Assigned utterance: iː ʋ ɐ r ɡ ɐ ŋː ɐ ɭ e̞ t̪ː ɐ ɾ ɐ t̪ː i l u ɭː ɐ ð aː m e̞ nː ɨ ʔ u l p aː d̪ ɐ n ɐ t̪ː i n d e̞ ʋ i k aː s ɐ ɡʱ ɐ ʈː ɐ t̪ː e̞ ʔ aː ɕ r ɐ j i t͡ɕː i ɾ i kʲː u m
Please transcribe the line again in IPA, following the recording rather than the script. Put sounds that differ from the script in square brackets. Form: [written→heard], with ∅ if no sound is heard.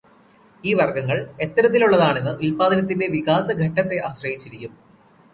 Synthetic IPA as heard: iː ʋ ɐ r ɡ ɐ ŋː ɐ ɭ e̞ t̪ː ɐ ɾ ɐ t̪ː i l u ɭː ɐ ð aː [m→ɳ] e̞ nː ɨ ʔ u l p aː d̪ ɐ n ɐ t̪ː i n d e̞ ʋ i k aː s ɐ ɡʱ ɐ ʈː ɐ t̪ː e̞ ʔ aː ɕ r ɐ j i t͡ɕː i ɾ i kʲː u m